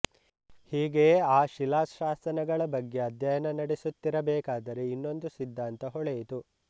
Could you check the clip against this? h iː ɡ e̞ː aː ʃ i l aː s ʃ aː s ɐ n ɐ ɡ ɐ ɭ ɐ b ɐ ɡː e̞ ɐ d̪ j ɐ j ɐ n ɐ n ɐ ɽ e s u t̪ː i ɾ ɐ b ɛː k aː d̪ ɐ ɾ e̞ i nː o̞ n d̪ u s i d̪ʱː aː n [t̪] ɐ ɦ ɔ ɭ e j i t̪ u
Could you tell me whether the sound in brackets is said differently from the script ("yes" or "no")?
no